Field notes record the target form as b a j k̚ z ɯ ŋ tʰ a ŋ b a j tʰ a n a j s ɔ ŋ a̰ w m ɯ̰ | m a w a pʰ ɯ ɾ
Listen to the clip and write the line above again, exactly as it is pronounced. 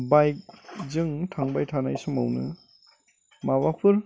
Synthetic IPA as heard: b a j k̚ z ɯ ŋ tʰ a ŋ b a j tʰ a n a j s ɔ m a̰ w n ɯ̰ | m a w a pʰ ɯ ɾ